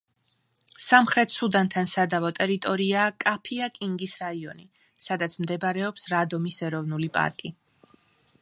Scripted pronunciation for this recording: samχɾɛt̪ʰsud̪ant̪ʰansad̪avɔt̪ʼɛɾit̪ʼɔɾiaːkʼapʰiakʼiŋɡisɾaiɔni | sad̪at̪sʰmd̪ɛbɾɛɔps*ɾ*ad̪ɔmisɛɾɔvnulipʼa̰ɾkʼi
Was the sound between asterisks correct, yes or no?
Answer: yes